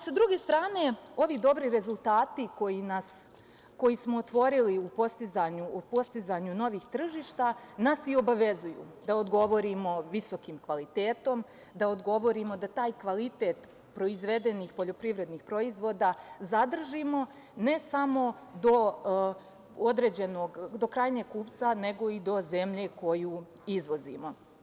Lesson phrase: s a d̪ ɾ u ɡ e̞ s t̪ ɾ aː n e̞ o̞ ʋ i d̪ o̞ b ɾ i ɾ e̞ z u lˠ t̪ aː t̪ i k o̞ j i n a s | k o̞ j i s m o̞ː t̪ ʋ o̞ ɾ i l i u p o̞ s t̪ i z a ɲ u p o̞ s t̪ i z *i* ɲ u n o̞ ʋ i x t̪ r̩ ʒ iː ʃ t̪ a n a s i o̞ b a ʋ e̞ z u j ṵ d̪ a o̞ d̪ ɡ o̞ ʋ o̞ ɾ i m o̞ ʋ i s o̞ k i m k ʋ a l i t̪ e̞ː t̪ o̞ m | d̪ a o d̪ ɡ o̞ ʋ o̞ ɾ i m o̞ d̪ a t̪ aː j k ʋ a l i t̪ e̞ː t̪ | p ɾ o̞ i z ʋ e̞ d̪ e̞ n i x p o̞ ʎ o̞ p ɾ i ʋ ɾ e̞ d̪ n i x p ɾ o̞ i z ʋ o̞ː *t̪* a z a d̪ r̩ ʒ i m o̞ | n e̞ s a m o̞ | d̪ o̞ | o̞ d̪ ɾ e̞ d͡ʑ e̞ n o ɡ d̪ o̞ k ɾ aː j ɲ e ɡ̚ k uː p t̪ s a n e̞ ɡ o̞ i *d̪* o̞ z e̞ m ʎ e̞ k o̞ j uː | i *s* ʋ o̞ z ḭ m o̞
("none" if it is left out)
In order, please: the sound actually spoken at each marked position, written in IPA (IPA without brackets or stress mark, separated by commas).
a, d̪, d̪, z